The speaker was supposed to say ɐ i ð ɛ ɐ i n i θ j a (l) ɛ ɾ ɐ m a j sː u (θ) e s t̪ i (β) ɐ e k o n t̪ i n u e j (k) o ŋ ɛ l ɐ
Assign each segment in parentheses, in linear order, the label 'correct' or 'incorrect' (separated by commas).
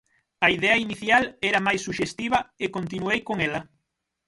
correct, incorrect, correct, correct